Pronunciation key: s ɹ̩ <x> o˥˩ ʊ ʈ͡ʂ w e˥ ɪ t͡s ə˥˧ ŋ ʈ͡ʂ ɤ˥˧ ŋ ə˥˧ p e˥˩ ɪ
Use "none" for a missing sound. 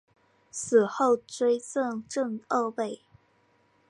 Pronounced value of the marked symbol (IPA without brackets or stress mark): x